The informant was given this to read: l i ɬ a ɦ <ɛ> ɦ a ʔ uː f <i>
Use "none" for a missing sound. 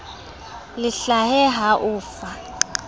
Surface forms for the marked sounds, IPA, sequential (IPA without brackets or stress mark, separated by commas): ɛ, a